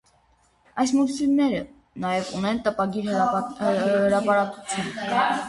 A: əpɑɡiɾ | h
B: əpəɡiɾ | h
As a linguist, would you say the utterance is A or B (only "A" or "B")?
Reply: A